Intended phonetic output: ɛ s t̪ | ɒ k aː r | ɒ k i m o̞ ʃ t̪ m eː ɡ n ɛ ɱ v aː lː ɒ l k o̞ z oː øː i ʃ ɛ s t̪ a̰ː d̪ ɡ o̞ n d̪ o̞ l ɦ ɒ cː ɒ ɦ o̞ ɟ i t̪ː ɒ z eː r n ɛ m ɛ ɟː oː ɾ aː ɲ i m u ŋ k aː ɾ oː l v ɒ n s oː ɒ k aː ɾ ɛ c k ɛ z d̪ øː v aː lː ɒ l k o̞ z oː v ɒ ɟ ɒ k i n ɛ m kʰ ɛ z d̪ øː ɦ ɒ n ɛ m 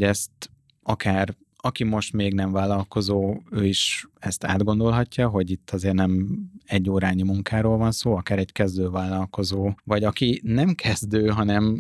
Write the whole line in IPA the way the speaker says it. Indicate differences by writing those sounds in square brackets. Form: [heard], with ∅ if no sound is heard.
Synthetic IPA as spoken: ɛ s t̪ | ɒ k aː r | ɒ k i m o̞ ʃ t̪ m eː ɡ n ɛ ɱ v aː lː ɒ l k o̞ z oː øː i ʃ ɛ s t̪ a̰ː d̪ ɡ o̞ n d̪ o̞ l ɦ ɒ cː ɒ ɦ o̞ ɟ i t̪ː ɒ z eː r n ɛ m ɛ ɟː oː ɾ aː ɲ i m u ŋ k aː ɾ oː l v ɒ n s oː ɒ k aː ɾ ɛ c k ɛ z d̪ øː v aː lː ɒ l k o̞ z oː v ɒ ɟ ɒ k i n ɛ m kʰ ɛ z d̪ øː ɦ ɒ n ɛ m